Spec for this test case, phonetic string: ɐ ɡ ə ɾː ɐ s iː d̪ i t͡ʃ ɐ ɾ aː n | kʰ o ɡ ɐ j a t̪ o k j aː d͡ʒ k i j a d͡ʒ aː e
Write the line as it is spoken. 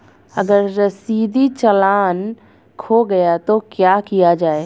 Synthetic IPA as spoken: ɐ ɡ ə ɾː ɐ s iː d̪ i t͡ʃ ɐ l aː n | kʰ o ɡ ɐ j a t̪ o k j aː k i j a d͡ʒ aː e

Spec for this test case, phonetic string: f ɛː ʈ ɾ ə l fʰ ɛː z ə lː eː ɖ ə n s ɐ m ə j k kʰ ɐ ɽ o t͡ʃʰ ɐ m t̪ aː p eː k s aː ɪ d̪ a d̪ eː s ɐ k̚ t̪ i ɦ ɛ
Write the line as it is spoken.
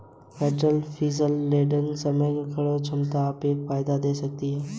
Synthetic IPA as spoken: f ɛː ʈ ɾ ə l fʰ iː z ə lː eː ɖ ə n s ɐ m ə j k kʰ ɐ ɽ o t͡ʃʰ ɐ m t̪ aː p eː k f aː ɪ d̪ a d̪ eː s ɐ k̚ t̪ i ɦ ɛː

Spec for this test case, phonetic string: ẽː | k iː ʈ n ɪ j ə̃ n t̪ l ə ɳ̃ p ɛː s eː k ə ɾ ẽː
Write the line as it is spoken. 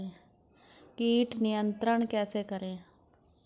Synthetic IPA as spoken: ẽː | k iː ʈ n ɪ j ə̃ n t̪ ɾ ə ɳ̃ k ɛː s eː k ə ɾ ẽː

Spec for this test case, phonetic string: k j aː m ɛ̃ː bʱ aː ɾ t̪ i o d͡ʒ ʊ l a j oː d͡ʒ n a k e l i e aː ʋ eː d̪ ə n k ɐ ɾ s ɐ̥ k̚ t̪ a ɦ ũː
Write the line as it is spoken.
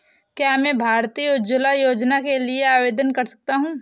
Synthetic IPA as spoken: k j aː m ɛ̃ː bʱ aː ɾ t̪ i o d͡ʒ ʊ l a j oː d͡ʒ n a k e l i e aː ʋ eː d̪ ə n k ɐ ɾ s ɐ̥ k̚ t̪ a ɦ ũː

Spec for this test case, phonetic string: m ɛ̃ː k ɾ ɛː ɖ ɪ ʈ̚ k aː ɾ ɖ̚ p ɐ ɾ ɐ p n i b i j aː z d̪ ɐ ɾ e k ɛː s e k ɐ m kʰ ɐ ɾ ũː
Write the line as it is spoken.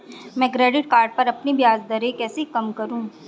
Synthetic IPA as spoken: m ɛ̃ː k ɾ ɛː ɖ ɪ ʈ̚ k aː ɾ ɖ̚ p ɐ ɾ ɐ p n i b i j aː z d̪ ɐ ɾ e k ɛː s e k ɐ m k ɐ ɾ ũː

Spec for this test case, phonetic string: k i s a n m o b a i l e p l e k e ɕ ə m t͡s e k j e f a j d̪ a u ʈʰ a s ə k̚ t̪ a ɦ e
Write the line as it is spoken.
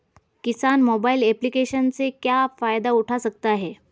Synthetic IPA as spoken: k i s a n m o b a i l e p l i k e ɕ ə n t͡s e k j a f a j d̪ a u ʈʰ a s ə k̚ t̪ a ɦ e

